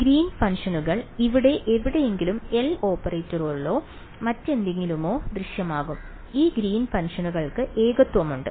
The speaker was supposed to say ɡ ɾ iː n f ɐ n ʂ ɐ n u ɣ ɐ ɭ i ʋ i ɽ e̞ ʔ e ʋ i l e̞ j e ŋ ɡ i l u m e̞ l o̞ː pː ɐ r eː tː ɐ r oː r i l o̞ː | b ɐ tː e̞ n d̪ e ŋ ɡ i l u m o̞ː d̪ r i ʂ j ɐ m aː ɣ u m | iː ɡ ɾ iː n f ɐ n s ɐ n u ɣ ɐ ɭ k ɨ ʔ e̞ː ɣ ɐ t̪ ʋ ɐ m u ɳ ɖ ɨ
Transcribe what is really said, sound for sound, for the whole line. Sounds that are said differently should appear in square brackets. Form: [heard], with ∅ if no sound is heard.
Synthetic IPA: ɡ ɾ iː n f ɐ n ʂ ɐ n u ɣ ɐ ɭ i ʋ i ɽ e̞ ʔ e ʋ i [ɽ] e̞ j e ŋ ɡ i l u m e̞ l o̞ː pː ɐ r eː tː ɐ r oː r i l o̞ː | [m] ɐ tː e̞ n d̪ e ŋ ɡ i l u m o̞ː d̪ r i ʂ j ɐ m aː ɣ u m | iː ɡ ɾ iː n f ɐ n [ʂ] ɐ n u ɣ ɐ ɭ k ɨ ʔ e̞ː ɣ ɐ t̪ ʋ ɐ m u ɳ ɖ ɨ